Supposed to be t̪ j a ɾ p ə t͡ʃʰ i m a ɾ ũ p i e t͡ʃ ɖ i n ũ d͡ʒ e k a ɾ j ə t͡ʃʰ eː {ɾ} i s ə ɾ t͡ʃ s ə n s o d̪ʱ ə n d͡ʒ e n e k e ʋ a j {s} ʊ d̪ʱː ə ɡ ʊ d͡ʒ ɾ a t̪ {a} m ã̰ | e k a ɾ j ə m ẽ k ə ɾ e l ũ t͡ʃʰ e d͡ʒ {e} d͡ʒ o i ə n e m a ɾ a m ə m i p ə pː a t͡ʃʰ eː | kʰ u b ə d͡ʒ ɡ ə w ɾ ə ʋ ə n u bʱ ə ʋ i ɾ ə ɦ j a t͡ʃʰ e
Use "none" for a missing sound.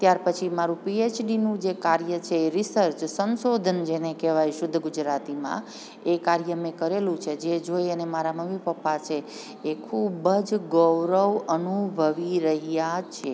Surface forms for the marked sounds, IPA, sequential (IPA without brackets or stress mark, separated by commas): ɾ, ʃ, i, e